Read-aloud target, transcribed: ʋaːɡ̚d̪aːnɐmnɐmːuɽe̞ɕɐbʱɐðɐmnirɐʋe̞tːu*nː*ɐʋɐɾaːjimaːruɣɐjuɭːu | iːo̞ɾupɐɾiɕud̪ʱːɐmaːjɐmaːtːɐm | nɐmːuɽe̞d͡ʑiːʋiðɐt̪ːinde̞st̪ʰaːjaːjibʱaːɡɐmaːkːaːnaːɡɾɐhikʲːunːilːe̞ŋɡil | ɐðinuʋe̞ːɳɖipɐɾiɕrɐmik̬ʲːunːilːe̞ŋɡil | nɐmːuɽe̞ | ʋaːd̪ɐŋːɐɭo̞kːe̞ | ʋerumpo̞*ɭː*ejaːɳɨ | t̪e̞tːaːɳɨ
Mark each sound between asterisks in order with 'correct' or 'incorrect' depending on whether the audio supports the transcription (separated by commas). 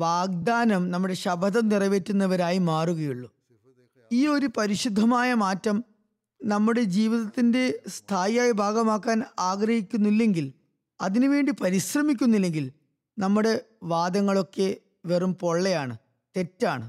correct, correct